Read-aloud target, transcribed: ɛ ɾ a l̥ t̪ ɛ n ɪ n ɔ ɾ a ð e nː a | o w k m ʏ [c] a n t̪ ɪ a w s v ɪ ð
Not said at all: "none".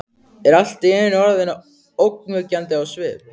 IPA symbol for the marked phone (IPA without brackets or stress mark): c